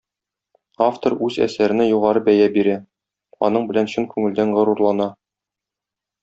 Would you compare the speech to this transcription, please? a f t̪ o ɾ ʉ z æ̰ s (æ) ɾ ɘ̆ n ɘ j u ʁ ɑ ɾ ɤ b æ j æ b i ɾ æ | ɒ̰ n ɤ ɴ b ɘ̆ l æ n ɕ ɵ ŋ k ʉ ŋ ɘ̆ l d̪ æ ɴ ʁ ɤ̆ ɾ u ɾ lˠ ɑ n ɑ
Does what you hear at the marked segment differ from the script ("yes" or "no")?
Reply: no